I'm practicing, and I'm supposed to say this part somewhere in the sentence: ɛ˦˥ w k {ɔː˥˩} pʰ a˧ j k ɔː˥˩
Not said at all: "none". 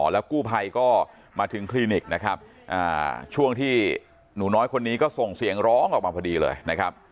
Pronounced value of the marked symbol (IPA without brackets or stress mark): uː˥˩